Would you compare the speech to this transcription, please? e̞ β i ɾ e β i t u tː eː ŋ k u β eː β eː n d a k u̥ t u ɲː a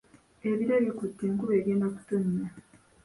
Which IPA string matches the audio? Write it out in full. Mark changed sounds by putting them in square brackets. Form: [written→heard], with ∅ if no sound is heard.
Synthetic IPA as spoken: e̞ β i ɾ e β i [t→k] u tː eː ŋ k u β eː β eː n d a k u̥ t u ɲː a